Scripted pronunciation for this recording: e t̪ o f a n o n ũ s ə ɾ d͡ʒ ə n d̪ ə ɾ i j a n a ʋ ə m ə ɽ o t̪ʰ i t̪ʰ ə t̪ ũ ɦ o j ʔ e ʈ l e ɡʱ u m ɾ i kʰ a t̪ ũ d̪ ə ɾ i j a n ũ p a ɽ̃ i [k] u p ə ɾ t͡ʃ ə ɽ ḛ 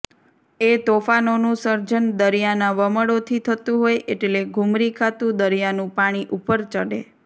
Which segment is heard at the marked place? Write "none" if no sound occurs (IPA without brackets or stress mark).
ʔ